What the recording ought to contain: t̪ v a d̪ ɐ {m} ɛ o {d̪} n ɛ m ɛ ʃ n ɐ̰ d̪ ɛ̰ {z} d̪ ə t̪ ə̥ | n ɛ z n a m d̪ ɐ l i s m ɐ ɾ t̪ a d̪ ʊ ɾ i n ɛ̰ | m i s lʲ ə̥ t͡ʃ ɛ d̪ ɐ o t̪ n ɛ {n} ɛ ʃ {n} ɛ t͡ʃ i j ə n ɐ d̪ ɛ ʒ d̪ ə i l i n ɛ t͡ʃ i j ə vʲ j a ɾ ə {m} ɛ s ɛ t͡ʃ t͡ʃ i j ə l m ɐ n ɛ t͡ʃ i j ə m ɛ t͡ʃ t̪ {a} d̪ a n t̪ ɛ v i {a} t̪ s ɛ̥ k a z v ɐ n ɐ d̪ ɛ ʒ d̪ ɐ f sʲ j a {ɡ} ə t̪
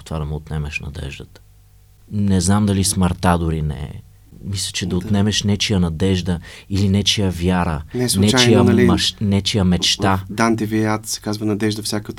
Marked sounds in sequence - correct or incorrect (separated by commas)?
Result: correct, incorrect, incorrect, incorrect, correct, incorrect, correct, correct, incorrect